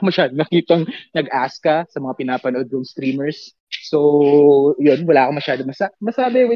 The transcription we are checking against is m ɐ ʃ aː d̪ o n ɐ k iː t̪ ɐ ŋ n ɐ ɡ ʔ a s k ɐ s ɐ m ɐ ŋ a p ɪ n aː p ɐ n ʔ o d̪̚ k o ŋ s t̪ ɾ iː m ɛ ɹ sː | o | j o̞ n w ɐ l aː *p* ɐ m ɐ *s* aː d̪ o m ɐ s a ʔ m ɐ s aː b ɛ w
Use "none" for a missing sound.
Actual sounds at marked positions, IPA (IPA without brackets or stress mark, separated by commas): k, ʃ